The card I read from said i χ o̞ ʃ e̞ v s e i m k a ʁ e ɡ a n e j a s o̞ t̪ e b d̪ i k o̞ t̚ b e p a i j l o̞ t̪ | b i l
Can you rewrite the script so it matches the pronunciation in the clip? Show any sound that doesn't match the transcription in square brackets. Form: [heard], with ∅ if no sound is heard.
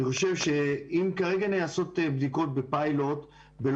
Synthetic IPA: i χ o̞ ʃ e̞ v [ʃ] e i m k a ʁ e ɡ a n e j a s o̞ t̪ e b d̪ i k o̞ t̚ b e p a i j l o̞ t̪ | b [e] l